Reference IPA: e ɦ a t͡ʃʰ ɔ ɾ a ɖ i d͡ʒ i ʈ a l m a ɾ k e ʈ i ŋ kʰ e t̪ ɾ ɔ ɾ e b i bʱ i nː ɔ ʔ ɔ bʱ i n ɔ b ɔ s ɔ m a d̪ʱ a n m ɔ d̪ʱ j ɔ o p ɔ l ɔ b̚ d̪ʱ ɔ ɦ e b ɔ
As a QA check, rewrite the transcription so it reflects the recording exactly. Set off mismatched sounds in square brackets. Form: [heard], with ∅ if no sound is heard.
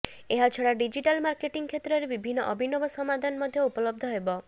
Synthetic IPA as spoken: e ɦ a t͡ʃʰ ɔ [ɽ] a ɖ i d͡ʒ i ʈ a l m a ɾ k e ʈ i ŋ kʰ e t̪ ɾ ɔ ɾ e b i bʱ i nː ɔ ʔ ɔ bʱ i n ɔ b ɔ s ɔ m a d̪ʱ a n m ɔ d̪ʱ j ɔ [u] p ɔ l ɔ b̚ d̪ʱ ɔ ɦ e b ɔ